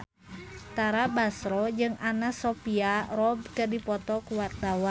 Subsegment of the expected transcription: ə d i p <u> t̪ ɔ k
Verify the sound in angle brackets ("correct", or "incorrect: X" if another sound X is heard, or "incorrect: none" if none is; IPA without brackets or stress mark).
incorrect: ɔ